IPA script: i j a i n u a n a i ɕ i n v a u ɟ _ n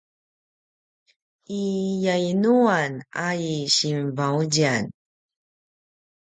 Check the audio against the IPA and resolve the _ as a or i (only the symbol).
a